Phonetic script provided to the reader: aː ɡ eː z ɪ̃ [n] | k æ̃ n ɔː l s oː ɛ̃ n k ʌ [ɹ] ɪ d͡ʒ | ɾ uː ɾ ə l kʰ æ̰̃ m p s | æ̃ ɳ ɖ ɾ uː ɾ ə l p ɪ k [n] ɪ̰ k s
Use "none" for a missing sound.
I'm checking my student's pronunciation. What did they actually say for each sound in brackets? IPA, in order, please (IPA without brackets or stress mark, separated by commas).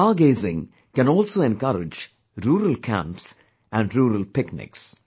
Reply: ŋ, ɾ, n